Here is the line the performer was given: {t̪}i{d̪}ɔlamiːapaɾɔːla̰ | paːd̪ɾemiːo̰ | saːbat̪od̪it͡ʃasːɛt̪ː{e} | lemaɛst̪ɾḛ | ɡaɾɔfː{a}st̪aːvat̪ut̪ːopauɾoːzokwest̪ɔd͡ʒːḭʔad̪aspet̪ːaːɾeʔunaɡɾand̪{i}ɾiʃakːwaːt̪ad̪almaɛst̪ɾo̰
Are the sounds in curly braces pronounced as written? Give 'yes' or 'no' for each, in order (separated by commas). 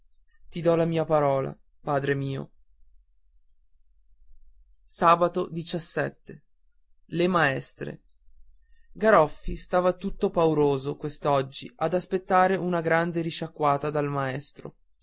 yes, yes, yes, no, no